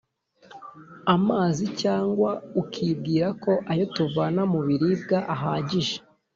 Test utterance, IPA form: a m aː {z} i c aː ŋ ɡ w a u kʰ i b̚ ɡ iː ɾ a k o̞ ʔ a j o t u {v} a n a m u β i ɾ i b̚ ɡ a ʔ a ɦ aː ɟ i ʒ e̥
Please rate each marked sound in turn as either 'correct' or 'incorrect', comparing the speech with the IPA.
correct, correct

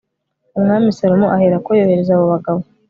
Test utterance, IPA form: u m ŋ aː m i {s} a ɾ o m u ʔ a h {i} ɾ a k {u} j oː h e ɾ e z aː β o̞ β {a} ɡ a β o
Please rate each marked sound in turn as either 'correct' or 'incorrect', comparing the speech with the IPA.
correct, incorrect: e, incorrect: o, correct

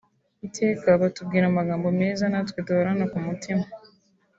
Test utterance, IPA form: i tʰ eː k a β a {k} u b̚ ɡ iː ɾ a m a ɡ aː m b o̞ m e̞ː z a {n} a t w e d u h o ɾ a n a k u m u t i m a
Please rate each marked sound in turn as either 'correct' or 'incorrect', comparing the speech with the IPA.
incorrect: t, correct

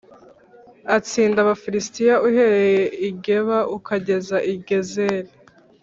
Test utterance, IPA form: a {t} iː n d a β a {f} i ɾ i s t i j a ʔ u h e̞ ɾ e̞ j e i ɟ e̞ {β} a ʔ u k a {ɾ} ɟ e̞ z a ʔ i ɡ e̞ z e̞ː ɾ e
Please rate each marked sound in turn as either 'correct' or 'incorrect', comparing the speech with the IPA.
incorrect: t͡s, correct, correct, incorrect: none

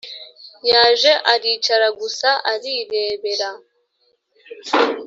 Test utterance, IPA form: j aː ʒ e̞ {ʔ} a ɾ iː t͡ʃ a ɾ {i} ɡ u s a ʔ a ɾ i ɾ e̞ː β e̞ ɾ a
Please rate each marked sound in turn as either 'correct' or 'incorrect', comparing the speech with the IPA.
correct, incorrect: a

